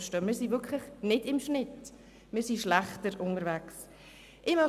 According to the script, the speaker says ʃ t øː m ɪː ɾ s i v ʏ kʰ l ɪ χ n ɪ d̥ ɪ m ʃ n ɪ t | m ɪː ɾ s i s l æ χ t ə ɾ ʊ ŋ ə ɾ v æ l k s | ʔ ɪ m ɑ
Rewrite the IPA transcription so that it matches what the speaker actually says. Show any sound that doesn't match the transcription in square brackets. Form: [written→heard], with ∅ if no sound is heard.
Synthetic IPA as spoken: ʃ t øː m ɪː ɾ s i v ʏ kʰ l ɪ χ n ɪ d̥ ɪ m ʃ n ɪ t | m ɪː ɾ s i [s→ʃ] l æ χ t ə ɾ ʊ [ŋ→n] ə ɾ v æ [l→∅] k s | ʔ ɪ m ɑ

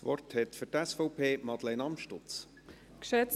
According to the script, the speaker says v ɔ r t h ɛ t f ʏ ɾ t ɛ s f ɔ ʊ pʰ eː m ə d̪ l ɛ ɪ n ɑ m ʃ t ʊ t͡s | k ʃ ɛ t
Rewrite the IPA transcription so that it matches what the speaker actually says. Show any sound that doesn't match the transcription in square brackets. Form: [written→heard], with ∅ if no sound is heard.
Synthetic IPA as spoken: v ɔ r t h ɛ t f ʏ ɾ t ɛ s f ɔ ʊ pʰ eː m [ə→ɑ] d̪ l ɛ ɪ n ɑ m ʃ t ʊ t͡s | k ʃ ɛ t

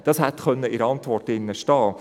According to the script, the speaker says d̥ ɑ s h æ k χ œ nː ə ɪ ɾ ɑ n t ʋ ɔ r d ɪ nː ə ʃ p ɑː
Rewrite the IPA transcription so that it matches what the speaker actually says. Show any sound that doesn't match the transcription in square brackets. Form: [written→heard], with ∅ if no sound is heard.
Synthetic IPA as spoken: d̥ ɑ s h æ [k→t] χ œ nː ə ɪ ɾ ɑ n t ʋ ɔ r [d→t] ɪ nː ə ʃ [p→t] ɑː

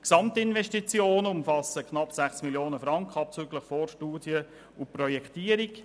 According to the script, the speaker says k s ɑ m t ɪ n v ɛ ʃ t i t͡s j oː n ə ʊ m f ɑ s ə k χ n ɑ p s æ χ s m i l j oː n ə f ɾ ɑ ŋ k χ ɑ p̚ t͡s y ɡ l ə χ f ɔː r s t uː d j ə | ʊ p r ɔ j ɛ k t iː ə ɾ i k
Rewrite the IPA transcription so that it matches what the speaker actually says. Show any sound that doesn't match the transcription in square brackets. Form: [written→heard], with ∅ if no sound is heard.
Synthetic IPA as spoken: k s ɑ m t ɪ n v ɛ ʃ t i t͡s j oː n ə ʊ m f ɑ s ə k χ n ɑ p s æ χ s m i l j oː n ə f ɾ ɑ ŋ k χ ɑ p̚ t͡s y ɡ l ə χ f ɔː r [s→ʃ] t uː d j ə | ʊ p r ɔ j ɛ k t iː ə ɾ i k

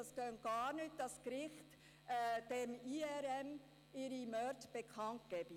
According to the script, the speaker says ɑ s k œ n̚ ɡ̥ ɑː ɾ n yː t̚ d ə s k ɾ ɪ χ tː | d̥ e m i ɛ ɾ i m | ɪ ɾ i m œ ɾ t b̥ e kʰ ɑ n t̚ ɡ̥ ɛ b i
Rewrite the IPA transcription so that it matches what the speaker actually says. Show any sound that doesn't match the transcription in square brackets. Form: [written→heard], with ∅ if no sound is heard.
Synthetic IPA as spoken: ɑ s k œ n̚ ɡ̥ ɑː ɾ n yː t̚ d [ə→ɑ] s k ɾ ɪ χ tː | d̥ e m i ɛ ɾ [i→ɛ] m | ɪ ɾ i m œ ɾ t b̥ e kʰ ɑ n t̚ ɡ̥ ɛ b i

